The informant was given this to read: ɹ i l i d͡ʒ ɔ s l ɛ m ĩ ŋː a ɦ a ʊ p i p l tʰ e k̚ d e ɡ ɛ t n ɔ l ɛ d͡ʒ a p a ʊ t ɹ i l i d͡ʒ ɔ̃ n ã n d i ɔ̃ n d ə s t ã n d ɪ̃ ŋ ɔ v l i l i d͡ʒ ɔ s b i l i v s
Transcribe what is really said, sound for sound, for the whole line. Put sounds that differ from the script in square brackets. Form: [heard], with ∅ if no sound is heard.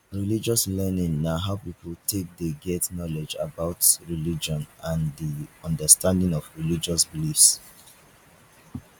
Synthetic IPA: ɹ i l i d͡ʒ ɔ s l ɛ [n] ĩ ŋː a ɦ a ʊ p i p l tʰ e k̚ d e ɡ ɛ t n ɔ l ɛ d͡ʒ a [b] a ʊ t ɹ i l i d͡ʒ ɔ̃ n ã n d i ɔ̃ n d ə s t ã n d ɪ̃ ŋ ɔ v [ɹ] i l i d͡ʒ ɔ s b i l i [f] s